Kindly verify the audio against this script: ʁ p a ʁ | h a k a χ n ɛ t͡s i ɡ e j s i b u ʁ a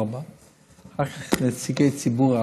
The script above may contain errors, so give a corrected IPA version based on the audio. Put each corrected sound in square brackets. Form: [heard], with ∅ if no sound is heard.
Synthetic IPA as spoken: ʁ [b] a [∅] | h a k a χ n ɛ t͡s i ɡ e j [t͡s] i b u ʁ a